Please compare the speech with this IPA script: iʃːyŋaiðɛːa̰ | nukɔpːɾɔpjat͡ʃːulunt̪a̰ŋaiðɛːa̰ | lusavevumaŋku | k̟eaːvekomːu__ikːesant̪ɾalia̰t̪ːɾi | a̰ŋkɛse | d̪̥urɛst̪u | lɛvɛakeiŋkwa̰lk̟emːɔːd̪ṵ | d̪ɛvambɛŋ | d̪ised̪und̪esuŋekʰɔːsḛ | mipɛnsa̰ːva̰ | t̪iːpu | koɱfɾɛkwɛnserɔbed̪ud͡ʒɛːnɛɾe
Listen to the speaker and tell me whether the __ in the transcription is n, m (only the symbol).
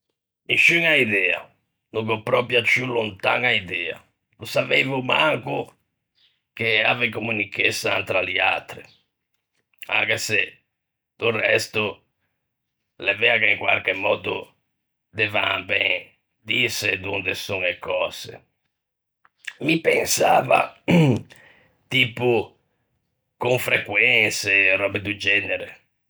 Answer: n